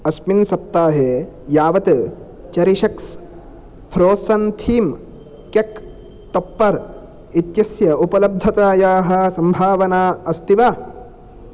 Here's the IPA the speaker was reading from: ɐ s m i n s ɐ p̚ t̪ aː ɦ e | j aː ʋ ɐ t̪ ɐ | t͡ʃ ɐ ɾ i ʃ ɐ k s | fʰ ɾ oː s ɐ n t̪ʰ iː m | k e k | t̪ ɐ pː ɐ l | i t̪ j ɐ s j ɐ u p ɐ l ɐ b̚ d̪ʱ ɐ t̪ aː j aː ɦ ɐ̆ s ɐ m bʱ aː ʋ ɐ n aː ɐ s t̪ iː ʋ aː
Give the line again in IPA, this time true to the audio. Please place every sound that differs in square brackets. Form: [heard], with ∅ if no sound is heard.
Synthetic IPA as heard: ɐ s m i n s ɐ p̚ t̪ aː ɦ e | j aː ʋ ɐ t̪ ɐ | t͡ʃ ɐ ɾ i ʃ ɐ k s | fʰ ɾ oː s ɐ n t̪ʰ iː m | k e k | t̪ ɐ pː ɐ [ɾ] | i t̪ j ɐ s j ɐ u p ɐ l ɐ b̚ d̪ʱ ɐ t̪ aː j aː ɦ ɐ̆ s ɐ m bʱ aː ʋ ɐ n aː ɐ s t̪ [i] ʋ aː

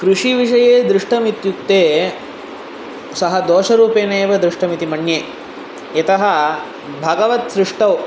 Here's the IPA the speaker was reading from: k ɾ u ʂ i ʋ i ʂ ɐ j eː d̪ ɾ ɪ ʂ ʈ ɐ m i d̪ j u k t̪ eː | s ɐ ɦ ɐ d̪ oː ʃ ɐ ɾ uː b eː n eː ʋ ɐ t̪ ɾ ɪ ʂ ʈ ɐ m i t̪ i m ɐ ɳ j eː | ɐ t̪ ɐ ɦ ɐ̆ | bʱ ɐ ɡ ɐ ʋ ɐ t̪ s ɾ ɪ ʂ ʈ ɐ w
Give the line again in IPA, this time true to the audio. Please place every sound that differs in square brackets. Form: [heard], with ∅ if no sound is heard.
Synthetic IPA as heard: k ɾ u ʂ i ʋ i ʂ ɐ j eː d̪ ɾ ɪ ʂ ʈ ɐ m i [t̪] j u k t̪ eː | s ɐ ɦ ɐ d̪ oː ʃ ɐ ɾ uː [p] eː n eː ʋ ɐ [d̪] ɾ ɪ ʂ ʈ ɐ m i t̪ i m ɐ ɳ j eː | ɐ t̪ ɐ ɦ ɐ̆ | bʱ ɐ ɡ ɐ ʋ ɐ t̪ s ɾ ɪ ʂ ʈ ɐ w

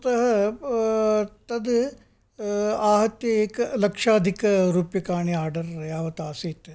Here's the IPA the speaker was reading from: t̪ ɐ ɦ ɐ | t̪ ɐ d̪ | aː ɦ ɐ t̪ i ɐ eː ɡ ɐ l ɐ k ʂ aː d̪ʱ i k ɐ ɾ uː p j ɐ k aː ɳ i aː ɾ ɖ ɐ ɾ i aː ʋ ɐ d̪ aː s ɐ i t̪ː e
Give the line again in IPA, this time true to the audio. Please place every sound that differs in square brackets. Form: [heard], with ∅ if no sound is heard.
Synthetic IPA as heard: t̪ ɐ ɦ ɐ | t̪ ɐ d̪ | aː ɦ ɐ t̪ [j] ɐ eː [k] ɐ l ɐ k ʂ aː d̪ʱ i k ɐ ɾ uː p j ɐ k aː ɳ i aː ɾ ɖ ɐ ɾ [j] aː ʋ ɐ [t̪] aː s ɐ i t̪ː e

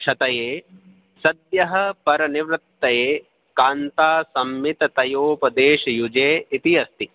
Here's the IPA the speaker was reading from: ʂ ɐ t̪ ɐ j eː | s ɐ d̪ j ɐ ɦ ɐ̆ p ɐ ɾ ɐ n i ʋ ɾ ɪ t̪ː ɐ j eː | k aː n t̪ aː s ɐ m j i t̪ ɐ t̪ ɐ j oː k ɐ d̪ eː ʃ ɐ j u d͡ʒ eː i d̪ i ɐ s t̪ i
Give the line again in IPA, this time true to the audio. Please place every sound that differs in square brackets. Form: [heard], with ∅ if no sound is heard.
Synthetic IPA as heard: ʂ ɐ t̪ ɐ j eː | s ɐ d̪ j ɐ ɦ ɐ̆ p ɐ ɾ ɐ n i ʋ ɾ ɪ t̪ː ɐ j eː | k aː n t̪ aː s ɐ m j i t̪ ɐ t̪ ɐ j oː [p] ɐ d̪ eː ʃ ɐ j u d͡ʒ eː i [t̪] i ɐ s t̪ i

